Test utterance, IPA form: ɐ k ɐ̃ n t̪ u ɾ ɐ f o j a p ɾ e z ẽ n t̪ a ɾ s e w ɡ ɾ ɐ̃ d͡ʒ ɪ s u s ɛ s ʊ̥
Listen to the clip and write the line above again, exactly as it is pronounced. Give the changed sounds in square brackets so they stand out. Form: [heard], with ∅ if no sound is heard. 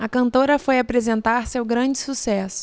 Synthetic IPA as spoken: ɐ k ɐ̃ n t̪ [o] ɾ ɐ f o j a p ɾ e z ẽ n t̪ a ɾ s e w ɡ ɾ ɐ̃ d͡ʒ ɪ s u s ɛ s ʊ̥